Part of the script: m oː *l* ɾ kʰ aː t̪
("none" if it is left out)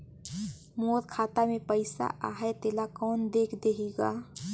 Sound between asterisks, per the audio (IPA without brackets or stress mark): none